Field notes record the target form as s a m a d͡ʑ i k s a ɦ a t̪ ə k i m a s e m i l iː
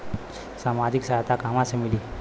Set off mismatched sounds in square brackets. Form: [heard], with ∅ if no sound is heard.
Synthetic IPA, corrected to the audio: s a m a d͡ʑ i k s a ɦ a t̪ [a] k [a] m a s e m i l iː